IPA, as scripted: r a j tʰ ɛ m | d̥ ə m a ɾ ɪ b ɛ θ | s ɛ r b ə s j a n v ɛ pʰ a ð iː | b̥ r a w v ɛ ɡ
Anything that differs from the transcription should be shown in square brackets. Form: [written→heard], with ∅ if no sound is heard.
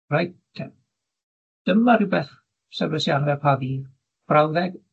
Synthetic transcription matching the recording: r a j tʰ ɛ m | d̥ ə m a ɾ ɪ b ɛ θ | s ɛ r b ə s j a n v ɛ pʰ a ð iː | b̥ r a w [v→ð] ɛ ɡ

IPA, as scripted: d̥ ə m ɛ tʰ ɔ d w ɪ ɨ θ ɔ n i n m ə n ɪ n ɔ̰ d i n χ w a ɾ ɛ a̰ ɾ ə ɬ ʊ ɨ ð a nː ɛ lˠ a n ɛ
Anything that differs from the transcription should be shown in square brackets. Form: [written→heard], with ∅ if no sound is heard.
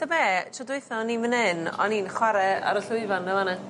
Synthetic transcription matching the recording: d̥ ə m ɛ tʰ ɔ d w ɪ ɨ θ ɔ n i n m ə n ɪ n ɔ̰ [d→n] i n χ w a ɾ ɛ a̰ ɾ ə ɬ ʊ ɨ [ð→v] a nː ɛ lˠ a n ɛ

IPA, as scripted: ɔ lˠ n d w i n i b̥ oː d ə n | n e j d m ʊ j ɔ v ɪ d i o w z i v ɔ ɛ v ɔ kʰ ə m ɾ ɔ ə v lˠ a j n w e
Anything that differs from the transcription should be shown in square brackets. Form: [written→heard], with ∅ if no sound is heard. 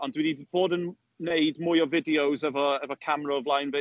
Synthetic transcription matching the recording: ɔ [lˠ→∅] n d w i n i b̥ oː d ə n | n e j d m ʊ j ɔ v ɪ d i o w z [i→ɛ] v ɔ ɛ v ɔ kʰ [ə→a] m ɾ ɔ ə v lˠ a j n [w→v] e

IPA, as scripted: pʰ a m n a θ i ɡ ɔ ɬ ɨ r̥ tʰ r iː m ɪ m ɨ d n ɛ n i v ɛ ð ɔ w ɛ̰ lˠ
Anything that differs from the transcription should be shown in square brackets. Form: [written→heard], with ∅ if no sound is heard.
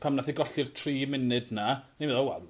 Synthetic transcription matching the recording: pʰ a m n a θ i ɡ ɔ ɬ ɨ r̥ tʰ r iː m ɪ [m→n] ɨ d n [ɛ→a] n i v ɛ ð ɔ w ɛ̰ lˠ

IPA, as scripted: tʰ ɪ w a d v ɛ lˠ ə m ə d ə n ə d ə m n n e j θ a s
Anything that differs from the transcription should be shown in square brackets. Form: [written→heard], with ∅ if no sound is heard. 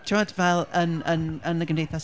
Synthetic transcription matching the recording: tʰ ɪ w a d v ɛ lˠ ə [m→n] ə [d→n] ə n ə [d→ɡ] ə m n [n→d] e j θ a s

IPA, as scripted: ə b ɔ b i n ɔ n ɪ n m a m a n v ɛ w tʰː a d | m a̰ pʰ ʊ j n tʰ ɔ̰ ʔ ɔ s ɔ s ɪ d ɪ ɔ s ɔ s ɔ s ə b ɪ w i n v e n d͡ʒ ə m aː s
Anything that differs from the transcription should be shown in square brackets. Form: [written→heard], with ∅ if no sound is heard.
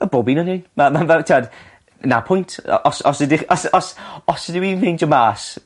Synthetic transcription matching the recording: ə b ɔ b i n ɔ n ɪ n m a m a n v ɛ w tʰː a d | [m→n] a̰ pʰ ʊ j n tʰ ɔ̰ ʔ ɔ s ɔ s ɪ d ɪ ɔ s ɔ s ɔ s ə [b→d] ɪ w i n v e n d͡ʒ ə m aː s

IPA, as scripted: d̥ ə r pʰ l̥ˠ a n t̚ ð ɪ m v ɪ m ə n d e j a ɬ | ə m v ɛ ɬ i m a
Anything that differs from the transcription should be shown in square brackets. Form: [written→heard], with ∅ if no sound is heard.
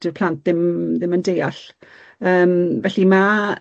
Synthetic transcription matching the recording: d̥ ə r pʰ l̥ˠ a n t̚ ð ɪ m [v→ð] ɪ m ə n d e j a ɬ | [ə→əː] m v ɛ ɬ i m a

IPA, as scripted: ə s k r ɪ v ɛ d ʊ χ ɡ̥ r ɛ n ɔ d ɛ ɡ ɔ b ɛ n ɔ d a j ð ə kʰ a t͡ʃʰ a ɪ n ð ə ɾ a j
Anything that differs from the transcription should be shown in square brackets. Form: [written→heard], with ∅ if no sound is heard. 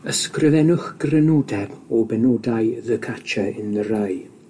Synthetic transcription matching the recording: ə s k r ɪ v ɛ [d→n] ʊ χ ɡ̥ r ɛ n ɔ d ɛ [ɡ→b] ɔ b ɛ n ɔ d a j ð ə kʰ a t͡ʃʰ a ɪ n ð ə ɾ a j

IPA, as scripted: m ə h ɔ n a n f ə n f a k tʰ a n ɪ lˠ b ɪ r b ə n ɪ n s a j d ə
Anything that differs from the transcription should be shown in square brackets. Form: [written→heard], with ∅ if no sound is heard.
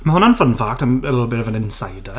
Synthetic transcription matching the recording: m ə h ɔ n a n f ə n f a k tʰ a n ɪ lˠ b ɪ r [b→v] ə n ɪ n s a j d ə

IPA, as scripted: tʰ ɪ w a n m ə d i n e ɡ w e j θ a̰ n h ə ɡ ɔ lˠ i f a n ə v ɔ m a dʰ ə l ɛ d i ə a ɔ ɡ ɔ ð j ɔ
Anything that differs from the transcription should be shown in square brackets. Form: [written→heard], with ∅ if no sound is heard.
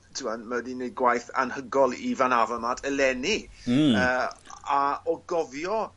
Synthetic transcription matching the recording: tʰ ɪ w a n m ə d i n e ɡ w [e→a] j θ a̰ n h ə ɡ ɔ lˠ i [f→v] a n [ə→a] v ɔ m a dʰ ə l ɛ [d→n] i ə a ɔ ɡ ɔ [ð→v] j ɔ

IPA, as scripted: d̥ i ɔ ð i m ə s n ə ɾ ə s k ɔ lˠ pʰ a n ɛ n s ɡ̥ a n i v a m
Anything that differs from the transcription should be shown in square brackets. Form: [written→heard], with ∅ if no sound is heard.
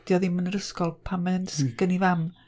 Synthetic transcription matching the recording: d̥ [i→j] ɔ ð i m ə [s→∅] n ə ɾ ə s k ɔ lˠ pʰ a [n→m] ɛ n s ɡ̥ [a→ə] n i v a m

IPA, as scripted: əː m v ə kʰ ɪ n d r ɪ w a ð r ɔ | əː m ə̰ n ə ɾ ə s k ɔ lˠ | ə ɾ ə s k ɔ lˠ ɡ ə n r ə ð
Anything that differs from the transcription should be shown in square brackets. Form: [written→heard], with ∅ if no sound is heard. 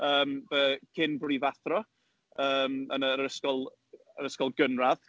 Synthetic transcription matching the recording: əː m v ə kʰ ɪ n [d→b] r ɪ [w→v] a [ð→θ] r ɔ | əː m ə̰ n ə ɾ ə s k ɔ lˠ | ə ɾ ə s k ɔ lˠ ɡ ə n r [ə→a] ð

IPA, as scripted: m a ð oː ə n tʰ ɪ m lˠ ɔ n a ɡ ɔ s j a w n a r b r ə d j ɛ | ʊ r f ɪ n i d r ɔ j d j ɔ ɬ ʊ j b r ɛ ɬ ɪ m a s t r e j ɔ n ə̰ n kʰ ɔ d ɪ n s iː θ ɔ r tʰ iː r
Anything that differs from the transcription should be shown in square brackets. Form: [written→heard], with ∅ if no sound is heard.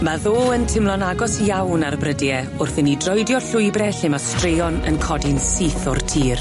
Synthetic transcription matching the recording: m a ð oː ə n tʰ ɪ m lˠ ɔ n a ɡ ɔ s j a w n a r b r ə d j ɛ | ʊ r [f→θ] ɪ n i d r ɔ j d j ɔ ɬ ʊ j b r ɛ ɬ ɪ m a s t r e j ɔ n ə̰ n kʰ ɔ d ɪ n s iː θ ɔ r tʰ iː r

